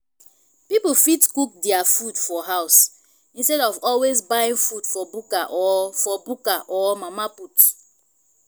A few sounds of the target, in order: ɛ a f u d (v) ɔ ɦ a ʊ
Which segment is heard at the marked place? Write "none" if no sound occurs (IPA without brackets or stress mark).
f